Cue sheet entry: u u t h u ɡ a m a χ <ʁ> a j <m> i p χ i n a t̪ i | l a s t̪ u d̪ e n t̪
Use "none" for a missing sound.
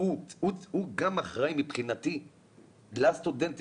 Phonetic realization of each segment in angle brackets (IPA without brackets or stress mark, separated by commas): ʁ, m